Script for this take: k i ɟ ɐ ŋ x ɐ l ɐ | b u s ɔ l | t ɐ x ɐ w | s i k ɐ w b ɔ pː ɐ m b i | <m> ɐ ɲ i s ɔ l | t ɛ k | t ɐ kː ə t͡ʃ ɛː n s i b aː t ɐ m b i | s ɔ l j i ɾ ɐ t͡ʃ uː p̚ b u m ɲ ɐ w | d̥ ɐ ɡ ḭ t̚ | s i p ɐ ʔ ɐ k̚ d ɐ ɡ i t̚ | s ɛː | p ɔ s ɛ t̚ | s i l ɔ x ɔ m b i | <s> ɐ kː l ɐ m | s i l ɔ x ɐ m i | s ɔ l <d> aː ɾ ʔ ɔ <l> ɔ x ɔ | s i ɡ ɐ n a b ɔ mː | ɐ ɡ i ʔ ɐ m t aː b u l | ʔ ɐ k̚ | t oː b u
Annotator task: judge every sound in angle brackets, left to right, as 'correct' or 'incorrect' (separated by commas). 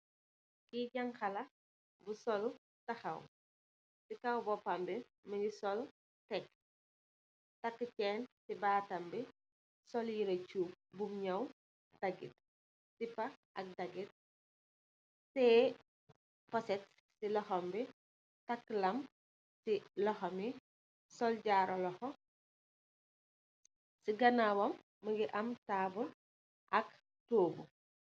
correct, incorrect, incorrect, correct